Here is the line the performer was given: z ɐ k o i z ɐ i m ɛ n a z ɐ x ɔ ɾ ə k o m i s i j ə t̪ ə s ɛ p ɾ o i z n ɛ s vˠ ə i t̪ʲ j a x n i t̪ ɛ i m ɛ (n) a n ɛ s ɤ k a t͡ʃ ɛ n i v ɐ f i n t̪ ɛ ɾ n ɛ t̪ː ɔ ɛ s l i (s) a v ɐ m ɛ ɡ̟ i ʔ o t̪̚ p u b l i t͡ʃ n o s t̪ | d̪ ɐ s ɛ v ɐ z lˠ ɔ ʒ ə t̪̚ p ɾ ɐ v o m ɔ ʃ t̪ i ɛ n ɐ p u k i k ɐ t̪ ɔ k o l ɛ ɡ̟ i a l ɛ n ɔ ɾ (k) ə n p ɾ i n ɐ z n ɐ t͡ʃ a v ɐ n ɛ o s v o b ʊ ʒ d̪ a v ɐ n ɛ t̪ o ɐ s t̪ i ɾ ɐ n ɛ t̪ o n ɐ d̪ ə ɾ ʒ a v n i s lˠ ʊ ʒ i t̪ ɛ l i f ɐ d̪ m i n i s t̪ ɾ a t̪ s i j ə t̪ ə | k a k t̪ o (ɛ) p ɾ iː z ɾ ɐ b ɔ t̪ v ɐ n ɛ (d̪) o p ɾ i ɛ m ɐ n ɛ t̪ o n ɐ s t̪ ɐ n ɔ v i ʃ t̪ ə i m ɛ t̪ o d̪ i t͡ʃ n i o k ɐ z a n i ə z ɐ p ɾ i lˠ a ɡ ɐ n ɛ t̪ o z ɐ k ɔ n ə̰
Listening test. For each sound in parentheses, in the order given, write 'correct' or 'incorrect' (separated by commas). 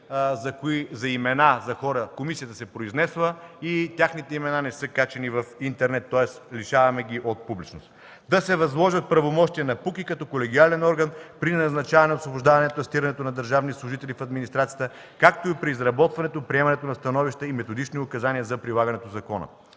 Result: correct, incorrect, incorrect, incorrect, incorrect